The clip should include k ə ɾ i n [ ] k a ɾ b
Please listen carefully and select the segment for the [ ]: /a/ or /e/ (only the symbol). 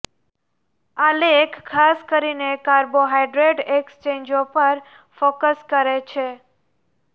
e